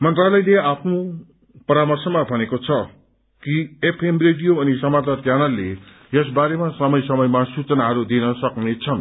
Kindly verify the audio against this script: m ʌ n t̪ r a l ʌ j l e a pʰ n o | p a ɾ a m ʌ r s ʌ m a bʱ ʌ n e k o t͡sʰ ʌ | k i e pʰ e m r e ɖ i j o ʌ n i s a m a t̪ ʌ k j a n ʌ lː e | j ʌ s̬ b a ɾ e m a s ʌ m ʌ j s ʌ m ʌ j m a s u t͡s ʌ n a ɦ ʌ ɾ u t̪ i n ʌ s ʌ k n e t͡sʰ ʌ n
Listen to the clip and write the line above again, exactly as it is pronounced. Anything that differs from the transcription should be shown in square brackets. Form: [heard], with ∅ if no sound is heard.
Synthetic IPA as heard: m ʌ n t̪ r a l ʌ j l e a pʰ n o | p [ʌ] ɾ a m ʌ r s ʌ m a bʱ ʌ n e k o t͡sʰ ʌ | k i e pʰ e m r e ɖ i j o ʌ n i s [ʌ] m a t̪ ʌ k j a n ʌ lː e | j ʌ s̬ b a ɾ e m a s ʌ m ʌ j s ʌ m ʌ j m a s u t͡s ʌ n a ɦ ʌ ɾ u [d̪] i n ʌ s ʌ k n e t͡sʰ ʌ n